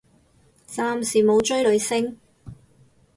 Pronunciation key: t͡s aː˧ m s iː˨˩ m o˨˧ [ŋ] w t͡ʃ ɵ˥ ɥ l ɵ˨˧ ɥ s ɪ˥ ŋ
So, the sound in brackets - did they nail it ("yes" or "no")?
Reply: no